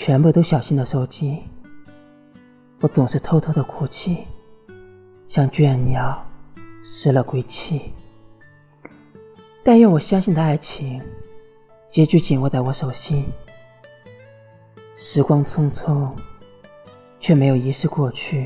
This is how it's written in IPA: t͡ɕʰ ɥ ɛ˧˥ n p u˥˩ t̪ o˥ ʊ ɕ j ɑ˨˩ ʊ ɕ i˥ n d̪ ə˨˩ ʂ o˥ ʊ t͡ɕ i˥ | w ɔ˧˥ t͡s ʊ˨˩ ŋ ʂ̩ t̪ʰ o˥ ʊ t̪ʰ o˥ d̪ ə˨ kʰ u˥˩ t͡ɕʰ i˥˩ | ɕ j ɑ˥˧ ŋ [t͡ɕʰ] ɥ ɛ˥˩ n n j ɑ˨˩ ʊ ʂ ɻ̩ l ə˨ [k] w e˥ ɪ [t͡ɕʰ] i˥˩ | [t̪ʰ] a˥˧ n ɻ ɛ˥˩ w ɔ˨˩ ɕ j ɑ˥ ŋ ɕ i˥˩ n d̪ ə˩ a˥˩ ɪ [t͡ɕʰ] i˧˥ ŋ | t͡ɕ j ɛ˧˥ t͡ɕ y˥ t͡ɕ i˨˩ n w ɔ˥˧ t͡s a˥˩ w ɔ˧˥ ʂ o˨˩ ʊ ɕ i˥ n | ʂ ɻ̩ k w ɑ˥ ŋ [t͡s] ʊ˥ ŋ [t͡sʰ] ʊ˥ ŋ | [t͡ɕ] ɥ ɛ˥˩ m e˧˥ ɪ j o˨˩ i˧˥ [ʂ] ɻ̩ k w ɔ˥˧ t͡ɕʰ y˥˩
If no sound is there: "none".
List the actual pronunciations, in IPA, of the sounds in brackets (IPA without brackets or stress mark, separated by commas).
t͡ɕ, k, t͡ɕʰ, t̪, t͡ɕʰ, t͡sʰ, t͡sʰ, t͡ɕʰ, ʂ